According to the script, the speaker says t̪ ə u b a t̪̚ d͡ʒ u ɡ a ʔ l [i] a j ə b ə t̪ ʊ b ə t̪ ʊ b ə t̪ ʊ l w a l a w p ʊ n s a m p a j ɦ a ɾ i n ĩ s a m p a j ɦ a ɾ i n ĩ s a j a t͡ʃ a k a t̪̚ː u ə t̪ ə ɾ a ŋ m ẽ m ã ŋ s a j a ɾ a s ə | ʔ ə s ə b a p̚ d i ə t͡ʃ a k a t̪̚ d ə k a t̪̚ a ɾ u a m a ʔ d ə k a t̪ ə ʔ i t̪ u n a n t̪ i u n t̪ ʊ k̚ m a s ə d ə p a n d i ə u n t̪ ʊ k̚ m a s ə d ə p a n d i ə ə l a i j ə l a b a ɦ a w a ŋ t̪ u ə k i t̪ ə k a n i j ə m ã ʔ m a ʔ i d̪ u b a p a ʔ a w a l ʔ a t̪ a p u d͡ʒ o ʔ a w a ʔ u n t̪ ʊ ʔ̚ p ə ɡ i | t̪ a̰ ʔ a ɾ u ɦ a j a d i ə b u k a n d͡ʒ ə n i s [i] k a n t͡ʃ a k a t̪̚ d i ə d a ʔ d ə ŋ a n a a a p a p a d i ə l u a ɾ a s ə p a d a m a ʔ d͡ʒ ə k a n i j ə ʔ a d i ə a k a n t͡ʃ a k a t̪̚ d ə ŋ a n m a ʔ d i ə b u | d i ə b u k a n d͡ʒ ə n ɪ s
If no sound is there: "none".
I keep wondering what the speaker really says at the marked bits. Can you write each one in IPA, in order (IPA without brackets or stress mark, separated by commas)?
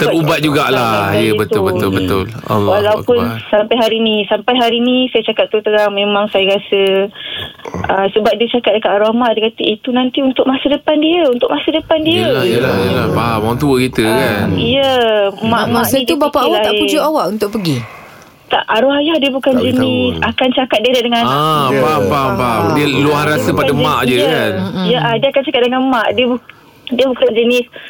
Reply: a, a